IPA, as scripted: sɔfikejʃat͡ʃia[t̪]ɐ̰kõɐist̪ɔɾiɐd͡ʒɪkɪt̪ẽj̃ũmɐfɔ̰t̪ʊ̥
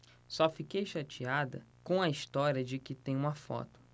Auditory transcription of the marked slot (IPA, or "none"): d̪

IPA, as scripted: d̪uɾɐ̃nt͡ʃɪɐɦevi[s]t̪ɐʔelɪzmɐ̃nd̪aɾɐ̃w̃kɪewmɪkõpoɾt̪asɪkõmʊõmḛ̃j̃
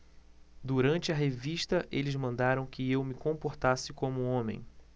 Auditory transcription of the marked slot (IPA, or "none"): ʃ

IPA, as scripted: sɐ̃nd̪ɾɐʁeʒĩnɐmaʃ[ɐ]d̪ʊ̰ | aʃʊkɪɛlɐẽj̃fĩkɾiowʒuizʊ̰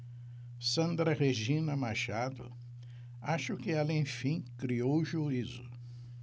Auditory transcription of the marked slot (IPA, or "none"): a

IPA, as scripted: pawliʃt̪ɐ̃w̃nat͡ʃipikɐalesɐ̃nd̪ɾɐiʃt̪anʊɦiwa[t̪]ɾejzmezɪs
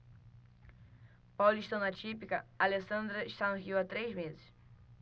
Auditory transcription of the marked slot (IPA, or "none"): t̪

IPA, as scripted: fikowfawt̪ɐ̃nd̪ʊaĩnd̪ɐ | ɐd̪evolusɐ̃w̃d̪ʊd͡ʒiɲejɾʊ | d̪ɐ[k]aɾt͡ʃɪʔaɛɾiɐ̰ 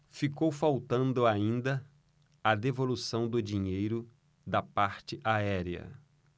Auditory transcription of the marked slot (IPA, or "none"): p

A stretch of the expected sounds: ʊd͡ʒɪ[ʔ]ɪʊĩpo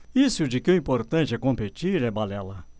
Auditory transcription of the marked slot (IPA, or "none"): k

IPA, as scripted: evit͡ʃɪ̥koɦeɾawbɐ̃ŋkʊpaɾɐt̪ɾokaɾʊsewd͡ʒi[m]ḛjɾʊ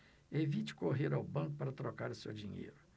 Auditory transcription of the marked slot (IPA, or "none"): ɲ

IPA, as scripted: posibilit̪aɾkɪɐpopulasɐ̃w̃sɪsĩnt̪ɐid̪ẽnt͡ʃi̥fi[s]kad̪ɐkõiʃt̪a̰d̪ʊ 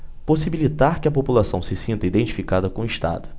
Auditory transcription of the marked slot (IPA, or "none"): none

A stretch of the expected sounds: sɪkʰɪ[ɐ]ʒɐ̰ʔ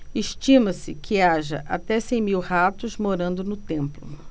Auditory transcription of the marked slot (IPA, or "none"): a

